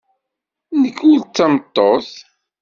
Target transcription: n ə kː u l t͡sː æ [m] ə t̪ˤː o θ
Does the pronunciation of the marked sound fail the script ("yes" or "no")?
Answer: no